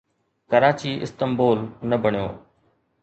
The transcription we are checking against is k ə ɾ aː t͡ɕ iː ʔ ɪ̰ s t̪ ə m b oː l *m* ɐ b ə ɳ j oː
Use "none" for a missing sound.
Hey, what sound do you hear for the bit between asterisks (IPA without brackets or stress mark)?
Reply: n